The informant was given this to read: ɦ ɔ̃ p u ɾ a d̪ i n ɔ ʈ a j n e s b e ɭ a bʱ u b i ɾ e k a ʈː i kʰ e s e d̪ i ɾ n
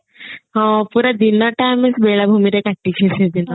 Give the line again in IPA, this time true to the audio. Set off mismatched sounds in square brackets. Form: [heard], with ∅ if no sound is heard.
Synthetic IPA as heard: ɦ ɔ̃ p u ɾ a d̪ i n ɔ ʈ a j [m] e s b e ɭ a bʱ u [m] i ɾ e k a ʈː i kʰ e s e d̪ i [∅] n